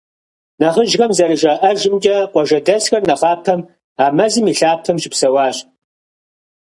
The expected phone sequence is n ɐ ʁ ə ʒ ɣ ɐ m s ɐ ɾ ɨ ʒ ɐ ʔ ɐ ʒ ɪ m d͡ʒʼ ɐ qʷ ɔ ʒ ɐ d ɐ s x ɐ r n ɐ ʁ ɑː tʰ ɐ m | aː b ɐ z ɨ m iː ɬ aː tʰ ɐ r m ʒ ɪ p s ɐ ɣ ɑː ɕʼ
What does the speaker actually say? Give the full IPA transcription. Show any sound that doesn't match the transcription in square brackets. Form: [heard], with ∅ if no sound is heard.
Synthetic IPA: n ɐ ʁ ə ʒ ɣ ɐ m [z] ɐ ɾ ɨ ʒ ɐ ʔ ɐ ʒ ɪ m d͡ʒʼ ɐ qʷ ɔ ʒ ɐ d ɐ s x ɐ r n ɐ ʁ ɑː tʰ ɐ m | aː [m] ɐ z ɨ m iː ɬ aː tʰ ɐ [∅] m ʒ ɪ p s ɐ [w] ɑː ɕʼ